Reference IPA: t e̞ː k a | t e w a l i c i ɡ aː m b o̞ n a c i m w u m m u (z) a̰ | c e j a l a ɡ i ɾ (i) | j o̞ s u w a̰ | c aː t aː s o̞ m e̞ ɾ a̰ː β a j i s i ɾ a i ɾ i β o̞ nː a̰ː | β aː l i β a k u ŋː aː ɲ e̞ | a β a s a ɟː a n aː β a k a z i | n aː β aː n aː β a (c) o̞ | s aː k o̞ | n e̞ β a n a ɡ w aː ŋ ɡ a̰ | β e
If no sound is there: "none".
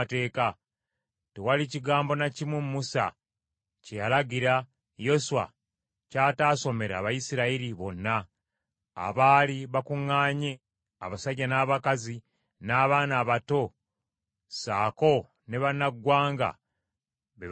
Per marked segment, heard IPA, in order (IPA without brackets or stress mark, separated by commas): s, a, t